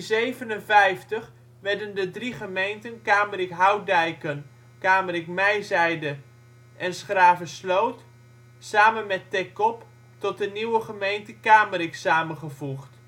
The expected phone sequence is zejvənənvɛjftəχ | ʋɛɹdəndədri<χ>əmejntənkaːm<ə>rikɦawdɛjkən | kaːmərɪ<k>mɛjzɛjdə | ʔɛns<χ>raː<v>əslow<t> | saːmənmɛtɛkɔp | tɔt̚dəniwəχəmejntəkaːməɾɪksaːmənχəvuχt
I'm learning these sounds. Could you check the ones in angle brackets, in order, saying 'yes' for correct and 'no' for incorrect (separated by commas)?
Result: yes, yes, yes, yes, yes, yes